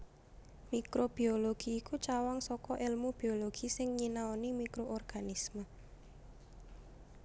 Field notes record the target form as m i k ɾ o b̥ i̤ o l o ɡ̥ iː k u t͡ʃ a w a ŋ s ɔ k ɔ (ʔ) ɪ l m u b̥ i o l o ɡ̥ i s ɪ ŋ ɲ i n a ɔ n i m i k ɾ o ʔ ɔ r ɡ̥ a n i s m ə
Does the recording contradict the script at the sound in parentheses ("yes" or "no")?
no